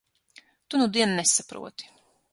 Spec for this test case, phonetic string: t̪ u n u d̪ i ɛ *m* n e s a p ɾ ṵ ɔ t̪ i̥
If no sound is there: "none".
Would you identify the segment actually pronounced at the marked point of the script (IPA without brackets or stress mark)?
n